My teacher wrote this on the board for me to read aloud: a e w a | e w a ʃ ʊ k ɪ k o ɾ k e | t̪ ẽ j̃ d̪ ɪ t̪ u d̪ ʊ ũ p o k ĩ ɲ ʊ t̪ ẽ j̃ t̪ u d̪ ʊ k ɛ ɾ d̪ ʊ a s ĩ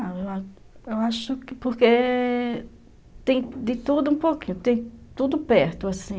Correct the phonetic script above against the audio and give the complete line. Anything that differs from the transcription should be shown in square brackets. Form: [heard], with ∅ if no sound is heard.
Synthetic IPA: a e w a | e w a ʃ ʊ k ɪ [p] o ɾ k e | t̪ ẽ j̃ d̪ ɪ t̪ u d̪ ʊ ũ p o k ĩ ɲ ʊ t̪ ẽ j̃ t̪ u d̪ ʊ [p] ɛ ɾ [t̪] ʊ a s ĩ